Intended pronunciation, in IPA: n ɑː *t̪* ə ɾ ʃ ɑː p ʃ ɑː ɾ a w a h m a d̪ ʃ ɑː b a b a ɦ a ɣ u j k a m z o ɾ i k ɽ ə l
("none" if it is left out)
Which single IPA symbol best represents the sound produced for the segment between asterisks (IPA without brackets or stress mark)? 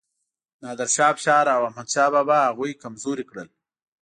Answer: d̪